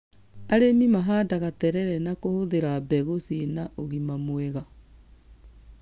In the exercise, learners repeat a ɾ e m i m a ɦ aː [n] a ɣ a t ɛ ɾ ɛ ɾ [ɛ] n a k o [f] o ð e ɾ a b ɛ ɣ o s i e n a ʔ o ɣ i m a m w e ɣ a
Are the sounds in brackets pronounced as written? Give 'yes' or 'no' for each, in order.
no, yes, no

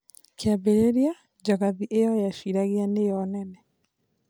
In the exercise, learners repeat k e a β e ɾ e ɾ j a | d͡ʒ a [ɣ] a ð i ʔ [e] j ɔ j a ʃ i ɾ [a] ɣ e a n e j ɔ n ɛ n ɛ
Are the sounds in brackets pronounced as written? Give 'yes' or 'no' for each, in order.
yes, yes, yes

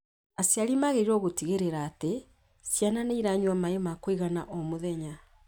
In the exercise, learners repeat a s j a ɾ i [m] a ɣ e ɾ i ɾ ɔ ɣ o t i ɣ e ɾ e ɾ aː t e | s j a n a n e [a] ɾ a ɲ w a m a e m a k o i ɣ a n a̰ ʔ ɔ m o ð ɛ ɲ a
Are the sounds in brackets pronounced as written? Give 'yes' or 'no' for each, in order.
yes, no

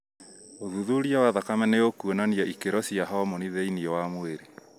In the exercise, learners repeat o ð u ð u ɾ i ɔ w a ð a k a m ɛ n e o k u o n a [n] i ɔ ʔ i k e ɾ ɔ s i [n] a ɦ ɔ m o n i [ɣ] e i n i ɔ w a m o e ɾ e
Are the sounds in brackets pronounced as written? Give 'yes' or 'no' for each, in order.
yes, no, no

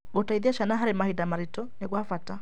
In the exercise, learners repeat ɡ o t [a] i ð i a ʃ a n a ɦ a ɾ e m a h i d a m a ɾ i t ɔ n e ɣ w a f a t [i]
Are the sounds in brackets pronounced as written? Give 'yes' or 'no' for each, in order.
yes, no

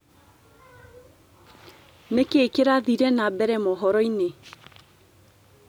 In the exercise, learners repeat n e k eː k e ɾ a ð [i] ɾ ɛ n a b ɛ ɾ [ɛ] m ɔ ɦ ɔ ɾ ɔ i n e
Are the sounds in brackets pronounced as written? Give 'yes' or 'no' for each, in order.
yes, yes

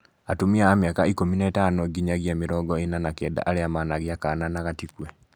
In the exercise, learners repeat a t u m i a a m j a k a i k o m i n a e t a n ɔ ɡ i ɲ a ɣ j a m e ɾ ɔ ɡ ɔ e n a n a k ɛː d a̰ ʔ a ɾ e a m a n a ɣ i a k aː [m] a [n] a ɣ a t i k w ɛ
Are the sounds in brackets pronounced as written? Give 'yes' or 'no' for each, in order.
no, yes

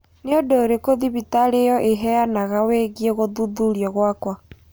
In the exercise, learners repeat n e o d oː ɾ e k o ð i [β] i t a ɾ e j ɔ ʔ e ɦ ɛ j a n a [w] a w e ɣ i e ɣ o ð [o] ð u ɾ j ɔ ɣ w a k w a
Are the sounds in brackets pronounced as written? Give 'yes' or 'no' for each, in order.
yes, no, no

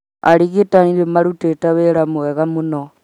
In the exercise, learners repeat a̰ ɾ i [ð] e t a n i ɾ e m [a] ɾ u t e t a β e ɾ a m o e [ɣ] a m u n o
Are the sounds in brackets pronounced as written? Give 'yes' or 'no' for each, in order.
no, yes, yes

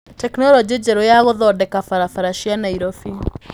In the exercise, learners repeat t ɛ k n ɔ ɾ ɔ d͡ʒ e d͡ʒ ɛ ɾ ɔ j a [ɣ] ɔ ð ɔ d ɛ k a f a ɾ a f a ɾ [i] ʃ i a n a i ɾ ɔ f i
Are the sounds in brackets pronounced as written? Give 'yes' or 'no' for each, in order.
yes, no

